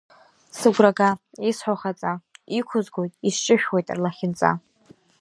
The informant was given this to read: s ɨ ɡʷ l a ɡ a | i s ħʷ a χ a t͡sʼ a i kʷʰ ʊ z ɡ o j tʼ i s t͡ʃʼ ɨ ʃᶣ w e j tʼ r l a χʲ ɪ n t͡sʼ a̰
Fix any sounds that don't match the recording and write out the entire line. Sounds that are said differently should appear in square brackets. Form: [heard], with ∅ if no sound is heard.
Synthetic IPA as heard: s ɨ ɡʷ [r] a ɡ a | i s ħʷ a χ a t͡sʼ a i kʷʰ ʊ z ɡ o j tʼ i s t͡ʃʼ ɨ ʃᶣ w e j tʼ r l a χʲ ɪ n t͡sʼ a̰